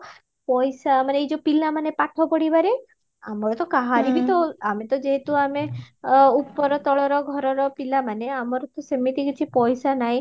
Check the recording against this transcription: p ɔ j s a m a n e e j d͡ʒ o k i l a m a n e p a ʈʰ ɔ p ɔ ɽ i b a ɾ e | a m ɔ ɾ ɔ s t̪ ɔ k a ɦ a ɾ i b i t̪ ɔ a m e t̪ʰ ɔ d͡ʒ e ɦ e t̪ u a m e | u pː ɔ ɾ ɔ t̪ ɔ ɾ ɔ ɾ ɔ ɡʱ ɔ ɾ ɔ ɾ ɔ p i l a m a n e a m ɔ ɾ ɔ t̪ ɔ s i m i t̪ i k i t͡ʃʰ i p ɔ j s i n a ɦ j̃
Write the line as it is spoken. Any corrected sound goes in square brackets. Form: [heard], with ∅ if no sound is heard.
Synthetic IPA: p ɔ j s a m a n e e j d͡ʒ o [p] i l a m a n e p a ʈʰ ɔ p ɔ ɽ i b a ɾ e | a m ɔ ɾ ɔ [∅] t̪ ɔ k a ɦ a ɾ i b i t̪ ɔ a m e [t̪] ɔ d͡ʒ e ɦ e t̪ u a m e | u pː ɔ ɾ ɔ t̪ ɔ [ɭ] ɔ ɾ ɔ ɡʱ ɔ ɾ ɔ ɾ ɔ p i l a m a n e a m ɔ ɾ ɔ t̪ ɔ s [e] m i t̪ i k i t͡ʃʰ i p ɔ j s [a] n a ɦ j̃